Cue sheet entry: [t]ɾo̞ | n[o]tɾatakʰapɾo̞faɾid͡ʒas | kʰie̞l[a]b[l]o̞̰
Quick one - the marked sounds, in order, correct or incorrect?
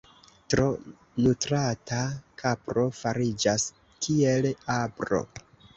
correct, incorrect, correct, incorrect

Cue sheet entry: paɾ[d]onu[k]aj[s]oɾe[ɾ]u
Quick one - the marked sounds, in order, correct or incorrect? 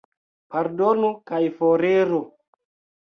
correct, correct, incorrect, correct

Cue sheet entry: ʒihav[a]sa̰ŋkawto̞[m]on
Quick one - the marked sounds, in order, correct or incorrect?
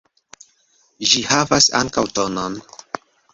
correct, incorrect

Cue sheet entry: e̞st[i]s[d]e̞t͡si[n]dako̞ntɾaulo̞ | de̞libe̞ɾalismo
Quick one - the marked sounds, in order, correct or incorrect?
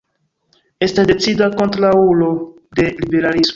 incorrect, correct, incorrect

